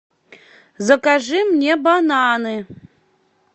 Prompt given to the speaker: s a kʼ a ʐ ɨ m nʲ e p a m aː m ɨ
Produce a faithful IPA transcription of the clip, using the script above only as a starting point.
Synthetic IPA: z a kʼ a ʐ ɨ m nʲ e b a n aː n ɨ